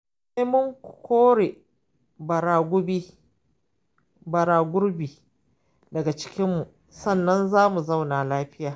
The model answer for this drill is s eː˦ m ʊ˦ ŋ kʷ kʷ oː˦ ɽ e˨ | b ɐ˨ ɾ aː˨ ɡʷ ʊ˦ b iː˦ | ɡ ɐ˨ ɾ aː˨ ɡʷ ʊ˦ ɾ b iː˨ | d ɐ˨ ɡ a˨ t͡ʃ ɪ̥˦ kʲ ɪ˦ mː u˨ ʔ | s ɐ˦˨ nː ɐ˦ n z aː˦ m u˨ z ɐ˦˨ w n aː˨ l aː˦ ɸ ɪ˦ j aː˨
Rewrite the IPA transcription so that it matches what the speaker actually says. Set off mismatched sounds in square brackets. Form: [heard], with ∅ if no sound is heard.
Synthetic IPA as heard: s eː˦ m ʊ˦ ŋ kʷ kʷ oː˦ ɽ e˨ | b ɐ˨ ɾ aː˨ ɡʷ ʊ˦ b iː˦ | [b] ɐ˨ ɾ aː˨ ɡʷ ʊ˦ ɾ b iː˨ | d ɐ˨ ɡ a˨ t͡ʃ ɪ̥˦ kʲ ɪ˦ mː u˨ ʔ | s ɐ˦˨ nː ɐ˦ n z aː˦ m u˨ z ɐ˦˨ w n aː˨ l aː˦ ɸ ɪ˦ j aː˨

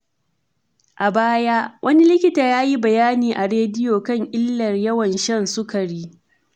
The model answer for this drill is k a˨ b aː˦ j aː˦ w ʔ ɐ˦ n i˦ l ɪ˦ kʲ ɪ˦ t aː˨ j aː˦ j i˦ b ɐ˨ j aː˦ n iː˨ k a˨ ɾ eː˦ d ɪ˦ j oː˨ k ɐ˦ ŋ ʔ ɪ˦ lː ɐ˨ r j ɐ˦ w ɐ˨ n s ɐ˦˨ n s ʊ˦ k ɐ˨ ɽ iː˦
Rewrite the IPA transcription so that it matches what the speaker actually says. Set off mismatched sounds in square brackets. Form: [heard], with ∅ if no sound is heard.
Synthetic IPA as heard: [ʔ] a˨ b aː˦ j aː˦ w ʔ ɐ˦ n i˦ l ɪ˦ kʲ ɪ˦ t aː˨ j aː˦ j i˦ b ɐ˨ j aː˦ n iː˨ [ʔ] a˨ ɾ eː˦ d ɪ˦ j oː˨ k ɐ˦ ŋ ʔ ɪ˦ lː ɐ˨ r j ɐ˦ w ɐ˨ n [ʃ] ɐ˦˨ n s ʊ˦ k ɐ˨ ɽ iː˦

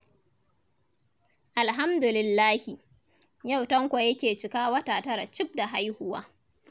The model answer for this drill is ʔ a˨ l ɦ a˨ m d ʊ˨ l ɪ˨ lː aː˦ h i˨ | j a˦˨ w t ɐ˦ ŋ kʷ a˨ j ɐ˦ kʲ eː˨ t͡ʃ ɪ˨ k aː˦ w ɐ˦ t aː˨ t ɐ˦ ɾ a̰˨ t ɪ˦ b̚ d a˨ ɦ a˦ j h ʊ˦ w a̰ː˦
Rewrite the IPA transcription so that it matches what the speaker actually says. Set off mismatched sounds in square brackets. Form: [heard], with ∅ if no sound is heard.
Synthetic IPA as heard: ʔ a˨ l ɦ [a˦] m d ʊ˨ l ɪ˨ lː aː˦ h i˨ | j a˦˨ w t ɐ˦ ŋ kʷ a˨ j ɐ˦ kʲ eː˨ t͡ʃ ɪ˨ k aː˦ w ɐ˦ t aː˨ t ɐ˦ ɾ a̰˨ [t͡ʃ] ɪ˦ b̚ d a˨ ɦ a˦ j h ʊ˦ w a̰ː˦

